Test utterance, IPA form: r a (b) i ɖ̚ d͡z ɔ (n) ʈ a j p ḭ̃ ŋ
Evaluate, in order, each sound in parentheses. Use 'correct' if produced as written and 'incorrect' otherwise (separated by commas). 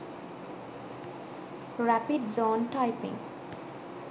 incorrect, correct